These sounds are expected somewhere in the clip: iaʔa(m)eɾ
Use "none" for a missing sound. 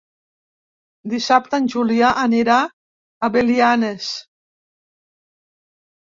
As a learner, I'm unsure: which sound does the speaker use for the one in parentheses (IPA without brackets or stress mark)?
n